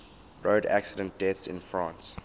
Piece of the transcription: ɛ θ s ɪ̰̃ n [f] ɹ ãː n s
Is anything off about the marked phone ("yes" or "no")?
no